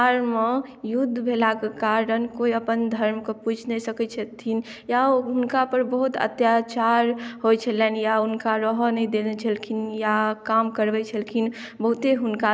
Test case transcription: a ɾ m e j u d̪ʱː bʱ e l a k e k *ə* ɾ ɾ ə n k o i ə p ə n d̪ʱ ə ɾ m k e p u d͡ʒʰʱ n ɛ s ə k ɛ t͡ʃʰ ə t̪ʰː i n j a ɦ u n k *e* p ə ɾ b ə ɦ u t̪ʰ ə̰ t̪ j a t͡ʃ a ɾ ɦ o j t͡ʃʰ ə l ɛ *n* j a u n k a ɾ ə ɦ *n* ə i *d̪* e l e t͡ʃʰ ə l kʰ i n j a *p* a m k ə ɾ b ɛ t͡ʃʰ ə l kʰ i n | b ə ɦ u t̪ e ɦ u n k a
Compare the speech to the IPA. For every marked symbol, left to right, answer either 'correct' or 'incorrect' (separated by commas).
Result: incorrect, incorrect, correct, correct, correct, incorrect